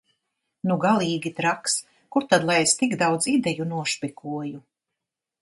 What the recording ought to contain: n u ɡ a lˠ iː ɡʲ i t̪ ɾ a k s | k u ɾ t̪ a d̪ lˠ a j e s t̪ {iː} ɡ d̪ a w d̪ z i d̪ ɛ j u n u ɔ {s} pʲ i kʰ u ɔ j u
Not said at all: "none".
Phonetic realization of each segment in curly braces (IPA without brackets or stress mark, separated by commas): i, ʃ